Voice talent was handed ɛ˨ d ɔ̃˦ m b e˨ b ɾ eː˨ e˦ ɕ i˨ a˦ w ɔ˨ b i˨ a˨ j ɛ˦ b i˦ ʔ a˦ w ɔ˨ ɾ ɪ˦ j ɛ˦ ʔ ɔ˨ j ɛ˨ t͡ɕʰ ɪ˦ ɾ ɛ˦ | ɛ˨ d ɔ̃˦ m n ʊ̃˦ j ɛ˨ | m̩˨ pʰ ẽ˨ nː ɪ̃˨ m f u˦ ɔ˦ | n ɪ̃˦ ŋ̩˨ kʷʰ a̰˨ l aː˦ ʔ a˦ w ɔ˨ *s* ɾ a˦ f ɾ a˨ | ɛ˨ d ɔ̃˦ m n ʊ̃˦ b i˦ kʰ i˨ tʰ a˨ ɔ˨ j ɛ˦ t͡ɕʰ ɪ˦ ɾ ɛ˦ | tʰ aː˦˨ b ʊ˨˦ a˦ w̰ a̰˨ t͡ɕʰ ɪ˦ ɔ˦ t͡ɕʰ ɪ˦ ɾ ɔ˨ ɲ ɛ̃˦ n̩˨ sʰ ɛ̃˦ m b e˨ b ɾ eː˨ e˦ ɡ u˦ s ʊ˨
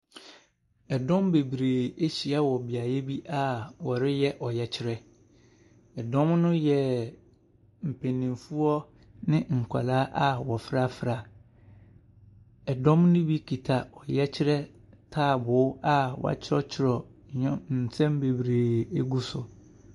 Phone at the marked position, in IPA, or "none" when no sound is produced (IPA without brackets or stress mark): f